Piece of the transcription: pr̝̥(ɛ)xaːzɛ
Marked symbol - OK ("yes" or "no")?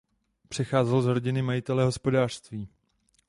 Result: yes